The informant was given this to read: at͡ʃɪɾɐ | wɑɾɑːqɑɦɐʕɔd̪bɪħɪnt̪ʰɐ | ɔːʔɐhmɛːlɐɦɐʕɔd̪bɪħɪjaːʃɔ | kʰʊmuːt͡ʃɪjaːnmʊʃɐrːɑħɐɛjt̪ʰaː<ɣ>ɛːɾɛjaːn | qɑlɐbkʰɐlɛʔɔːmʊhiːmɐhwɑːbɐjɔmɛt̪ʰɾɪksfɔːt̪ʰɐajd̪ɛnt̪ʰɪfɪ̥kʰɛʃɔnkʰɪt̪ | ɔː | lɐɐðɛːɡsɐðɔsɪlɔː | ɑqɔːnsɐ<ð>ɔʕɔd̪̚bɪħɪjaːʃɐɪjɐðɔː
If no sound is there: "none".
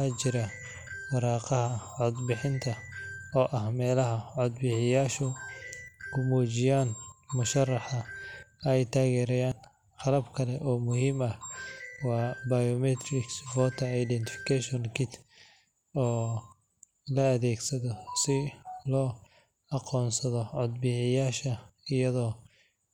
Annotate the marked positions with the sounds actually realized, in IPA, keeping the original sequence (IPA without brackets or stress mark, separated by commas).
ɣ, ð